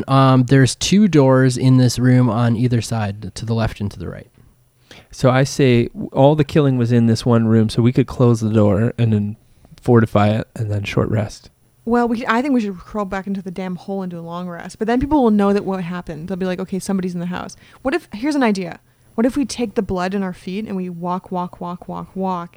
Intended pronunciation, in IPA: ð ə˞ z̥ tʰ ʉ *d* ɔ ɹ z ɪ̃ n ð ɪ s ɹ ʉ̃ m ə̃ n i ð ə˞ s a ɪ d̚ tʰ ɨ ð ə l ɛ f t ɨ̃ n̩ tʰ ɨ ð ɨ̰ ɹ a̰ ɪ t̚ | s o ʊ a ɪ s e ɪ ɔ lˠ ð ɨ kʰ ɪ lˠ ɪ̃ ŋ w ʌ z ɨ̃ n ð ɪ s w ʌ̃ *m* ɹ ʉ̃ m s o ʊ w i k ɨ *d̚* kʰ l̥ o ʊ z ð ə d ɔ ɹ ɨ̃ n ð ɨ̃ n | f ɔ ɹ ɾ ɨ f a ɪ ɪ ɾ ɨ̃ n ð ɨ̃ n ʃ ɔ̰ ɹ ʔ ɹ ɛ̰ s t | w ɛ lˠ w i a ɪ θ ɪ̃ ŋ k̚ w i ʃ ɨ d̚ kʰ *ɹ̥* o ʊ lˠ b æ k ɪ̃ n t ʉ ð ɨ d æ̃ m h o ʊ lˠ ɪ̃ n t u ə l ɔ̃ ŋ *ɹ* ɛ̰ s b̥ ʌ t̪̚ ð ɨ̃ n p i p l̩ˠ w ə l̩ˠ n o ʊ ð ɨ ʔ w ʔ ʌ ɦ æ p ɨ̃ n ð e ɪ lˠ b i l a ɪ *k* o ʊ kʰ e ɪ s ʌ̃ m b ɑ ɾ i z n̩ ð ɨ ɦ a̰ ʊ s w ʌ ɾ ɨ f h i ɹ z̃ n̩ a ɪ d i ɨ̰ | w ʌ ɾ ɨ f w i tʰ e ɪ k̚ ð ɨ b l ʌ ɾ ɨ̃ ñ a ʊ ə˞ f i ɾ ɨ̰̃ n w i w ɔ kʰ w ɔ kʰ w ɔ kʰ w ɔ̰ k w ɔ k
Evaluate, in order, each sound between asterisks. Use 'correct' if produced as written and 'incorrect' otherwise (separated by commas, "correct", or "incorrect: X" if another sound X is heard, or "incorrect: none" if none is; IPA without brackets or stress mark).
correct, incorrect: n, correct, correct, correct, correct